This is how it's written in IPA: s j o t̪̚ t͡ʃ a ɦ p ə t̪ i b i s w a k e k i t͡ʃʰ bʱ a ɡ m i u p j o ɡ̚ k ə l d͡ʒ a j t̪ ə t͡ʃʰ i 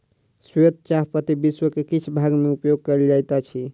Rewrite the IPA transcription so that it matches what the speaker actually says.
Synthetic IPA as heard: s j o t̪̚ t͡ʃ a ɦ p ə t̪ i b i s w ə k e k i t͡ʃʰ bʱ a ɡ m e u p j o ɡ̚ k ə l d͡ʒ a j t̪ a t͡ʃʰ i